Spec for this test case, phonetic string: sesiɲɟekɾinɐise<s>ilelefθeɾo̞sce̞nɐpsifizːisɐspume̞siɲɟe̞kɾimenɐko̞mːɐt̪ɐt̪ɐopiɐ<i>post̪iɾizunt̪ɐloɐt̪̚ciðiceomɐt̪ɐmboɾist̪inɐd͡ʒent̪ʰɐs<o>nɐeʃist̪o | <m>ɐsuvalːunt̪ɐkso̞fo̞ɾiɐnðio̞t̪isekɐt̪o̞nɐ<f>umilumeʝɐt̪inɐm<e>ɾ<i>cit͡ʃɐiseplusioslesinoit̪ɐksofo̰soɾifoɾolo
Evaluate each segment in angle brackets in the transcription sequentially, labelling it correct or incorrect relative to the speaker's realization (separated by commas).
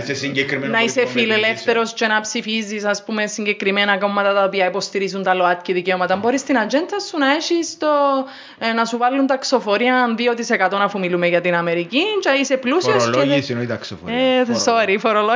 incorrect, correct, incorrect, incorrect, correct, correct, correct